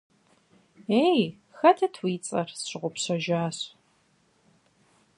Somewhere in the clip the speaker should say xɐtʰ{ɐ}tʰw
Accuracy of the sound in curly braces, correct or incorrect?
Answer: correct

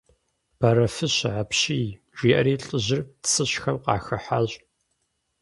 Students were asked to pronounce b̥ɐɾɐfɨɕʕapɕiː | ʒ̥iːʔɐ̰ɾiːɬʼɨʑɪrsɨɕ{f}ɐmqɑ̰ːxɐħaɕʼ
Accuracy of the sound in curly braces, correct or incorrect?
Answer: incorrect: x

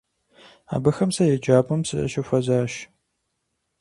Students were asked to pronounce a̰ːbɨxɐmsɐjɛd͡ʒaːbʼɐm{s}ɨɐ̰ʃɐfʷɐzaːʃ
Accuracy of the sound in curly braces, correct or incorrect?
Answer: correct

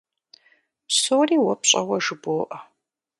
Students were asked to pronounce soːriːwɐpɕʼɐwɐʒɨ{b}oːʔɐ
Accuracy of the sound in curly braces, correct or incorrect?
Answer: correct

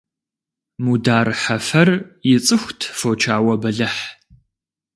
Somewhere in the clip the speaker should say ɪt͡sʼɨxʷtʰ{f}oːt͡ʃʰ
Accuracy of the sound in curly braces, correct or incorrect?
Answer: correct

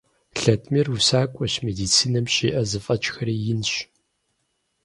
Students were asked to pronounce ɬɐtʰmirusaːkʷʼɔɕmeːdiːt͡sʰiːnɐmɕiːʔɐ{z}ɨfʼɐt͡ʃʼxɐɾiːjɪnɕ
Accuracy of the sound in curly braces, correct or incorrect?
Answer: correct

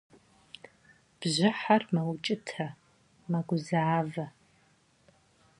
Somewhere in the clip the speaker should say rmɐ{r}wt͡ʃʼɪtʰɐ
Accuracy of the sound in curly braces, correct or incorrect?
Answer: incorrect: none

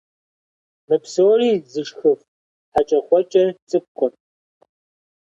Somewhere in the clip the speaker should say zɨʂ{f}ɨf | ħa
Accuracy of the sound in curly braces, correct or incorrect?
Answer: incorrect: x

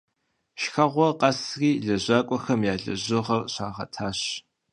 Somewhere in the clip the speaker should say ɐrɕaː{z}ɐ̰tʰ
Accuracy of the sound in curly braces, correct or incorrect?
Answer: incorrect: ʁ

